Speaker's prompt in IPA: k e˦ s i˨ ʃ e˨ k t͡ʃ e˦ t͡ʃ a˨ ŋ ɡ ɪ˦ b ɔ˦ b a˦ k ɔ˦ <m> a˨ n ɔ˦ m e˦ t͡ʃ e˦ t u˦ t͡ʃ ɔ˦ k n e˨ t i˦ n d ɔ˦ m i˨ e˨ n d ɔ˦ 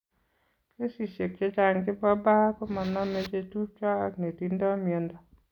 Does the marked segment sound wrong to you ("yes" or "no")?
no